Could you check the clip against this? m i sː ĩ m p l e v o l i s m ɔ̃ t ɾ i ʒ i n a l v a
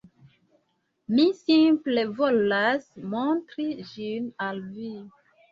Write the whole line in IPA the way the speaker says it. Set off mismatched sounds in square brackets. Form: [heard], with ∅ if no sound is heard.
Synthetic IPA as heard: m i [s] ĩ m p l e v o l [a] s m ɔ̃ t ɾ i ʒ i n a l v [i]